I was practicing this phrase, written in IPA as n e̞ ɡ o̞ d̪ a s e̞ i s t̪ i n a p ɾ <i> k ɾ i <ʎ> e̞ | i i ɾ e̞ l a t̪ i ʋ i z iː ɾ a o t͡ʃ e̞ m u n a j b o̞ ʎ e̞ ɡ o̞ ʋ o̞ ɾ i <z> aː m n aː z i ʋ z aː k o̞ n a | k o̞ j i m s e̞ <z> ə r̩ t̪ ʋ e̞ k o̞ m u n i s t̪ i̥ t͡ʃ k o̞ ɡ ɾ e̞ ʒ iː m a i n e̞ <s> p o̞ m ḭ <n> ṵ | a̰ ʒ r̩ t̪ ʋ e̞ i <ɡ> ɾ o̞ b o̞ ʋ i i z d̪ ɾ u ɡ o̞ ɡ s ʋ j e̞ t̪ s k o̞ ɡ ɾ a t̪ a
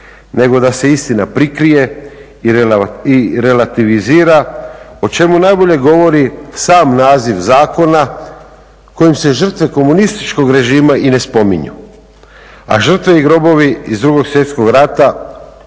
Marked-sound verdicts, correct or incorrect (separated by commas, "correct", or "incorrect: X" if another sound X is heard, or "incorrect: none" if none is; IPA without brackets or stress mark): correct, incorrect: j, incorrect: s, incorrect: ʒ, correct, incorrect: ɲ, correct